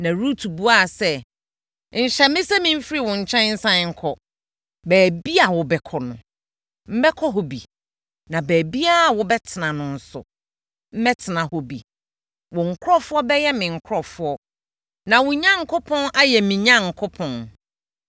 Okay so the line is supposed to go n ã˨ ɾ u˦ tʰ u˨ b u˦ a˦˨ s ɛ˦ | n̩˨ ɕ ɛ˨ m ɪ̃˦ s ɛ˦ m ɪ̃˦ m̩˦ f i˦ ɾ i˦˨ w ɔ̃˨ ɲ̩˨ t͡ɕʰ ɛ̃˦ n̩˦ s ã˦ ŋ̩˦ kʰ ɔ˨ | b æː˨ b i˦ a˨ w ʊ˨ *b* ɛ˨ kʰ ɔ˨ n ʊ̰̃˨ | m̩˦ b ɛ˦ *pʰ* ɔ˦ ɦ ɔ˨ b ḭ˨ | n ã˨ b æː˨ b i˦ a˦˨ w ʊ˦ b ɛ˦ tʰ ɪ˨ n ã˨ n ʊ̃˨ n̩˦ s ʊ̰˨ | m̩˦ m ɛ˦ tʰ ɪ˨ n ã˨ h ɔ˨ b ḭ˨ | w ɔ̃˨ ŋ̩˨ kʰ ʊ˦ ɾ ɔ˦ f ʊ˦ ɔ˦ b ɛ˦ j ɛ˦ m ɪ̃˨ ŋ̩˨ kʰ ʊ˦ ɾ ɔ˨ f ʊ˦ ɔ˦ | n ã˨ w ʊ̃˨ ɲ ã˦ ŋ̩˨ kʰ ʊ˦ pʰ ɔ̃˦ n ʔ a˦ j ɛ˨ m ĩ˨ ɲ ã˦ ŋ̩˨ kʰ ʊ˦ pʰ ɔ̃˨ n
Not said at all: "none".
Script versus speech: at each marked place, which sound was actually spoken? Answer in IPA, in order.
b, kʰ

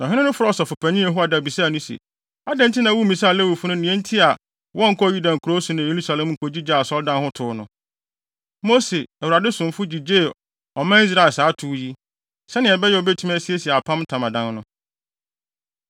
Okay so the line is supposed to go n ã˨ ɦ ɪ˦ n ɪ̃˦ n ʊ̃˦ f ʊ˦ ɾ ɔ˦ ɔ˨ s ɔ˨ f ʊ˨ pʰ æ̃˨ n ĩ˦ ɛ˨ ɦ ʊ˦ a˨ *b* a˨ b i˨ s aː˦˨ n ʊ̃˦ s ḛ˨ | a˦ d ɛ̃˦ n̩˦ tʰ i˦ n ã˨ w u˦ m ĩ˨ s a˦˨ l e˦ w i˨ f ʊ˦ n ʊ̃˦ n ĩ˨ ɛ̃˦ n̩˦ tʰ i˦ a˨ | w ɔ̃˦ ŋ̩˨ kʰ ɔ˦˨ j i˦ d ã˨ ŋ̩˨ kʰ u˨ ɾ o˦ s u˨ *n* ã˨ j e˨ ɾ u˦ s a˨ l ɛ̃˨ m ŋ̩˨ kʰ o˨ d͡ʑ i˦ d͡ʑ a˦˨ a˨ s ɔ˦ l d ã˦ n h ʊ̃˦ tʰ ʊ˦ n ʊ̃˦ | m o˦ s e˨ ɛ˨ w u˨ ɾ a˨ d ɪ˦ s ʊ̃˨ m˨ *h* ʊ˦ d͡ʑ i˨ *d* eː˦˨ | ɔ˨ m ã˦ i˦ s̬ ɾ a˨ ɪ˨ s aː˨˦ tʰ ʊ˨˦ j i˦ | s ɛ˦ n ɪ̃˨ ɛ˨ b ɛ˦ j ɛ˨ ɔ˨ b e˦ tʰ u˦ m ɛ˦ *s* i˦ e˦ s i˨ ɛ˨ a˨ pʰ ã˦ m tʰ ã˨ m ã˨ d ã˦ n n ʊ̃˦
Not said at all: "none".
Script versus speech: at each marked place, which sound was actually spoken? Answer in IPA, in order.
d, n, f, d͡ʑ, s

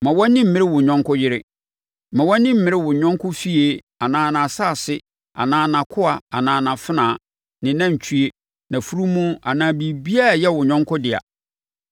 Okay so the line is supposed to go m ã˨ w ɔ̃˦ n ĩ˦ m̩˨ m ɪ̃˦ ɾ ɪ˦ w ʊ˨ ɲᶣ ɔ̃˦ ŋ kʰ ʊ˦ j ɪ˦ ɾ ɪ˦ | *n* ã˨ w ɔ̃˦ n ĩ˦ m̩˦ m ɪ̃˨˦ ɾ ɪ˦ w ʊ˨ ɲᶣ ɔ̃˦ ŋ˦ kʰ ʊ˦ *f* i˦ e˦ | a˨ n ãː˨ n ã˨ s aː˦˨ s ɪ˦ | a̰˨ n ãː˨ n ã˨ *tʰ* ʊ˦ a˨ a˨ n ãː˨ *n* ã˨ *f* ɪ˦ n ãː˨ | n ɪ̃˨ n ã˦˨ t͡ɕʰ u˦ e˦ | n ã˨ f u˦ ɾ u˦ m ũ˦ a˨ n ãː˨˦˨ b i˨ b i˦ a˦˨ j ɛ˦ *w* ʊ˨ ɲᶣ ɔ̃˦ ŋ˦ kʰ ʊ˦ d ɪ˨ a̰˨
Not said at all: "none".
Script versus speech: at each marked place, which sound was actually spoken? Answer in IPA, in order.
m, f, kʰ, n, f, w

